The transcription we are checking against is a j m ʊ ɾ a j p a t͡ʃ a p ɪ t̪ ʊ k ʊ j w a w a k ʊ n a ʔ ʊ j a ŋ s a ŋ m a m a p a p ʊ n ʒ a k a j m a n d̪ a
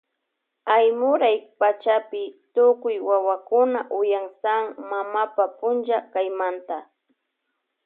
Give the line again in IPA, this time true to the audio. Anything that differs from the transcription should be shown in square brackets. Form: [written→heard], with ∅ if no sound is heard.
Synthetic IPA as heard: a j m ʊ ɾ a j p a t͡ʃ a p ɪ t̪ ʊ k ʊ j w a w a k ʊ n a ʔ ʊ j a ŋ s a ŋ m a m a p a p ʊ n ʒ a k a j m a n [d̪→t̪] a